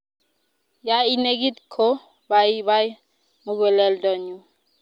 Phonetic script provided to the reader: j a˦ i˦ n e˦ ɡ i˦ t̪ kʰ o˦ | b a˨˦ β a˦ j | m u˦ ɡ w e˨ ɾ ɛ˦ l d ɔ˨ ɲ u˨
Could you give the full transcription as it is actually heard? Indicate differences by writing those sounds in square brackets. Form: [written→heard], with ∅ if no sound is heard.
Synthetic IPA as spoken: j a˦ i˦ n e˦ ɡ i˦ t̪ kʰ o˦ | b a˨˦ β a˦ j | m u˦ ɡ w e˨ [ɾ→l] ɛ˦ l d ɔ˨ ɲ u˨